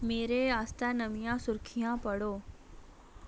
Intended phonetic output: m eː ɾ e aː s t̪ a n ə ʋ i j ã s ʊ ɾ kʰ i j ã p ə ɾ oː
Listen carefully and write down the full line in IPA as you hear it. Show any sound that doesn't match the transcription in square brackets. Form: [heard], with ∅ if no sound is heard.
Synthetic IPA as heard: m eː ɾ e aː s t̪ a n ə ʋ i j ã s ʊ ɾ kʰ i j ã p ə [ɽ] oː